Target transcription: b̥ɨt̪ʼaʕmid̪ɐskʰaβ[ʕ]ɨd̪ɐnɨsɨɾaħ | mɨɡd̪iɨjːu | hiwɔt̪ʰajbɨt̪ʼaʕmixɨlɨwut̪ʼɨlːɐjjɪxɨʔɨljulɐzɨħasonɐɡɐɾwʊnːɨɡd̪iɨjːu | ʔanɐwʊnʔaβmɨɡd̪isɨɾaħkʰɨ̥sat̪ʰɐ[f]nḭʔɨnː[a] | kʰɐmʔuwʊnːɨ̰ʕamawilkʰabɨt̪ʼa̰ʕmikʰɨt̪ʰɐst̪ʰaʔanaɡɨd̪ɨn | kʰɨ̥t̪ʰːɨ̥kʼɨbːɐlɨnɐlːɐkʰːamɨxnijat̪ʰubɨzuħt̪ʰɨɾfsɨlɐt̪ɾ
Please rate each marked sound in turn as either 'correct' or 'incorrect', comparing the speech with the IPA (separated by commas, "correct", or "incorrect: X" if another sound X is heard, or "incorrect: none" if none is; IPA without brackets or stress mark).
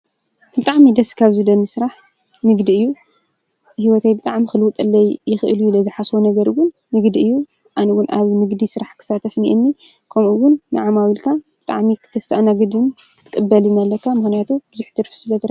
incorrect: z, correct, incorrect: i